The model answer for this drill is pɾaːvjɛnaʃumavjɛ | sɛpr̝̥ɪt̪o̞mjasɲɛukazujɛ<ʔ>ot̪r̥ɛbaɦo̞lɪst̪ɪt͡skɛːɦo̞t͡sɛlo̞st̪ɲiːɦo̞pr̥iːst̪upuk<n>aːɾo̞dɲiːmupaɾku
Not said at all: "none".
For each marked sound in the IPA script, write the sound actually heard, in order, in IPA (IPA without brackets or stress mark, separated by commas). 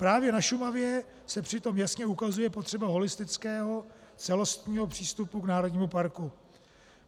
p, n